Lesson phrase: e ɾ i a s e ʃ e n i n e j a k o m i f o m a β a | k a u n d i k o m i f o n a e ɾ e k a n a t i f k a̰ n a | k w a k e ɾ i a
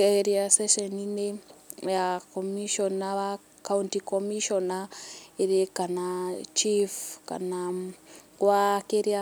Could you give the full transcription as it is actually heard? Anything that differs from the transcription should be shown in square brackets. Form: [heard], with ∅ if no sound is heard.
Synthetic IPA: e ɾ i a s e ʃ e n i n e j a k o m i [ʃ] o [n] a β a | k a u n [t] i k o m i [ʃ] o n a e ɾ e k a n a [t͡ʃ] i f k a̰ n a | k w a k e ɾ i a